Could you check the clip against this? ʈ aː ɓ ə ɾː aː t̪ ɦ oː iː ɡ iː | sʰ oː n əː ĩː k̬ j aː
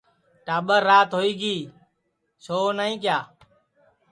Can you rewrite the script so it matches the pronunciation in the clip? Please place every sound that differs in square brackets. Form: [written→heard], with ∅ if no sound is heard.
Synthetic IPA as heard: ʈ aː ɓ ə ɾː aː t̪ ɦ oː iː ɡ iː | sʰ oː n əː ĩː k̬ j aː